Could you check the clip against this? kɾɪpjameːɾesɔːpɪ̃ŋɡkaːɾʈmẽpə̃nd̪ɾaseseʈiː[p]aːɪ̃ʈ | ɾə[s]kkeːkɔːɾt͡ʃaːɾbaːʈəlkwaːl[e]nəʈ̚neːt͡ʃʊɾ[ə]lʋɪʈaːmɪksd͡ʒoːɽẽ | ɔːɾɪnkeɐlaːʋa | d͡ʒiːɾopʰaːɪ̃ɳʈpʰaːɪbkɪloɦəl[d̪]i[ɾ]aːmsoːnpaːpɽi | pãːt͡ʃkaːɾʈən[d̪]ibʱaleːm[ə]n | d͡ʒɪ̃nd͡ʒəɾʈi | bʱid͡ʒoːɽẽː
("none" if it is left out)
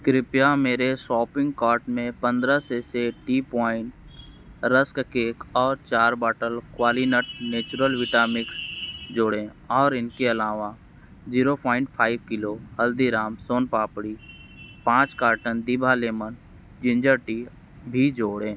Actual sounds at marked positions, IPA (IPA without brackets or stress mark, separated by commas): p, s, i, ə, d̪, ɾ, d̪, ə